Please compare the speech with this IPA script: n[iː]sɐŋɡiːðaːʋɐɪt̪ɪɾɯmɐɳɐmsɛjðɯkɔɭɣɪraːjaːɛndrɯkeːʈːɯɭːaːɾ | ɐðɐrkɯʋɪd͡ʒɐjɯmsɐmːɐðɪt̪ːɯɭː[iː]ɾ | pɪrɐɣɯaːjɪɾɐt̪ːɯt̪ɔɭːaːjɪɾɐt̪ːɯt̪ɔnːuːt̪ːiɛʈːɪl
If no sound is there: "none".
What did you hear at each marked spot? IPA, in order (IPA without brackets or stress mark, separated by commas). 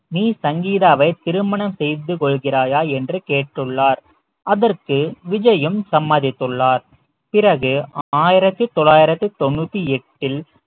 iː, aː